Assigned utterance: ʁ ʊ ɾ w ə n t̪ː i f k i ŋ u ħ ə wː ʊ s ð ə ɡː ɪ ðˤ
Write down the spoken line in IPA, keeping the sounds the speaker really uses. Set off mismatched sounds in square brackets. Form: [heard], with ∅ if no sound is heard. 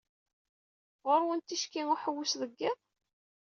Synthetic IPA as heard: ʁ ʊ ɾ w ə n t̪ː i [ʃ] k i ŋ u ħ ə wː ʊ s ð ə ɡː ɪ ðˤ

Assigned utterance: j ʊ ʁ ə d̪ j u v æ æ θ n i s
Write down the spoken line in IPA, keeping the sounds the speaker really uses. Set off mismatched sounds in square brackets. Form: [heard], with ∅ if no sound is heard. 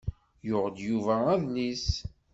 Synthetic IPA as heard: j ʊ ʁ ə d̪ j u v æ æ [ð] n i s

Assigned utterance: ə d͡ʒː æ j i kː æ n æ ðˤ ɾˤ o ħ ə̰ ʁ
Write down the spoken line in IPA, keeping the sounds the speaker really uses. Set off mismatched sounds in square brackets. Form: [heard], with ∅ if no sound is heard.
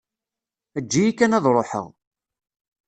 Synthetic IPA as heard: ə d͡ʒː [i] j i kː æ n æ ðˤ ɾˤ o ħ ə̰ ʁ

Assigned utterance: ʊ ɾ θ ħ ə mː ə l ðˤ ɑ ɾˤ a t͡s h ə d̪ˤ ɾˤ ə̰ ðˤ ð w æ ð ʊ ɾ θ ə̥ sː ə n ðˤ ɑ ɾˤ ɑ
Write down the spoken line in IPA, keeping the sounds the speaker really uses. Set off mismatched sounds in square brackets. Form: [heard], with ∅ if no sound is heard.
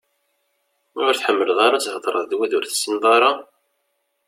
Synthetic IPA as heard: ʊ ɾ θ ħ ə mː ə l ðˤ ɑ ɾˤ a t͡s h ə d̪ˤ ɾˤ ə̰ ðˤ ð w æ ð ʊ ɾ θ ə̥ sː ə n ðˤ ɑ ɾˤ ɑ

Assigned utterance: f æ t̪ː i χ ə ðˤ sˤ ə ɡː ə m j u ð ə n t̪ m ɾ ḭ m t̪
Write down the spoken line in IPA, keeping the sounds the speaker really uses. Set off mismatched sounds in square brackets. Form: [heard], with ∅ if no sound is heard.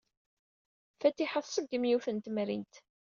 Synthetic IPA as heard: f æ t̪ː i [ħ] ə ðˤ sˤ ə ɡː ə m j u [θ] ə n t̪ m ɾ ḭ [n] t̪

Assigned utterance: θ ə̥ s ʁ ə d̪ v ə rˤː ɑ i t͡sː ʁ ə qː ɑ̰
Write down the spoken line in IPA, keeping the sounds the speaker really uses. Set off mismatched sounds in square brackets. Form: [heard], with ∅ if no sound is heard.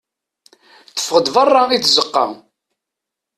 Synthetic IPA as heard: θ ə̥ [f] ʁ ə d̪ v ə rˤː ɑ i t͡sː [z] ə qː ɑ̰

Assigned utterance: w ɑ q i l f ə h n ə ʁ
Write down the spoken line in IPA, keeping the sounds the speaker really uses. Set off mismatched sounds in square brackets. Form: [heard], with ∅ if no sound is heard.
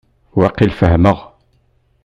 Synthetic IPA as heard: w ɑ q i l f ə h [m] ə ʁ

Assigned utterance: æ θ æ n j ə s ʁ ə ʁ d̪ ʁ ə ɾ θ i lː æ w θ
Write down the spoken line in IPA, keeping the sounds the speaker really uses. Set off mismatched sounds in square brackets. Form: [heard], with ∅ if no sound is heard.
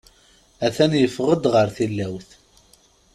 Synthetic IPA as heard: æ θ æ n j ə [f] ʁ ə [∅] d̪ ʁ ə ɾ θ i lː æ w θ

